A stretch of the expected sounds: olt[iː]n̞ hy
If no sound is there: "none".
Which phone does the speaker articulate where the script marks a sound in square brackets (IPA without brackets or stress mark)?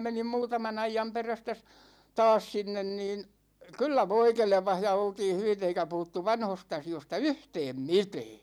iː